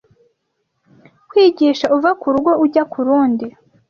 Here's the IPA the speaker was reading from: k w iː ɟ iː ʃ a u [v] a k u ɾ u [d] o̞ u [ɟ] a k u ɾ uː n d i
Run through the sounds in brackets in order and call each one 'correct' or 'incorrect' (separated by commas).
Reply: correct, incorrect, correct